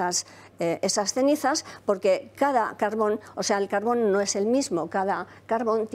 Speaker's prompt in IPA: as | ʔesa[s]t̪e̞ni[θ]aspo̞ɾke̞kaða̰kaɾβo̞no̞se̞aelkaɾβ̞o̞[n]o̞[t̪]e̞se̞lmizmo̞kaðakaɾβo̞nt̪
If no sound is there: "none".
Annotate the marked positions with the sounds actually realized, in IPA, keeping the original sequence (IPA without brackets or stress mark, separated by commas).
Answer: s, θ, nː, none